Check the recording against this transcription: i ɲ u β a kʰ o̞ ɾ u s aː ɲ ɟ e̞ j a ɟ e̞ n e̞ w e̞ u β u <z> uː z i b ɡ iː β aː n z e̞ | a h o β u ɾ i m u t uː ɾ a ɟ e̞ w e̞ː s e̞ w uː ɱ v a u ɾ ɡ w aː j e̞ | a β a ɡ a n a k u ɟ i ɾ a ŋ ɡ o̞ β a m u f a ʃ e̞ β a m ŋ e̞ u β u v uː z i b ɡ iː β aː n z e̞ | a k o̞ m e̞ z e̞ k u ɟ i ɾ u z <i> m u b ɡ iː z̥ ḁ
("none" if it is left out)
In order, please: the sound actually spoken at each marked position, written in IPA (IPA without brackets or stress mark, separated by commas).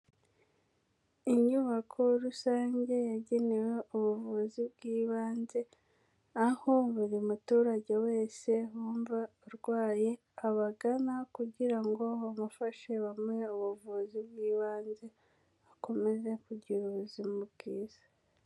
v, i